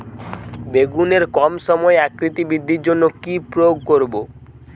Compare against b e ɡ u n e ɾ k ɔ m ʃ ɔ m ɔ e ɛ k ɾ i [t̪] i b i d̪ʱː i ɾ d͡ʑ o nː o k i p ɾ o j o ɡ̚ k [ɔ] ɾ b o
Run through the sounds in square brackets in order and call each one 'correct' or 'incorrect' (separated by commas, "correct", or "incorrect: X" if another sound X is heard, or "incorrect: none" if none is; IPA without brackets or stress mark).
correct, incorrect: o